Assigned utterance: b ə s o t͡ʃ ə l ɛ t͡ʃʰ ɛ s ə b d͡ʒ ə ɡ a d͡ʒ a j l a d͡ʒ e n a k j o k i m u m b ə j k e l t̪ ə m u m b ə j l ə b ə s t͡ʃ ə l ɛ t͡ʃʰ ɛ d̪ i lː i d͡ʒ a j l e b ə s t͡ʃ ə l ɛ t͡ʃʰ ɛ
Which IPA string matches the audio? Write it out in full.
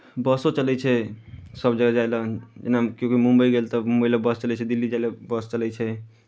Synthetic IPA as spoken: b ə s o t͡ʃ ə l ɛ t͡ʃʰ ɛ s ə b d͡ʒ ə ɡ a d͡ʒ a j l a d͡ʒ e n a k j o k i m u m b ə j ɡ e l t̪ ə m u m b ə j l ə b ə s t͡ʃ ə l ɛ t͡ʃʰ ɛ d̪ i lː i d͡ʒ a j l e b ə s t͡ʃ ə l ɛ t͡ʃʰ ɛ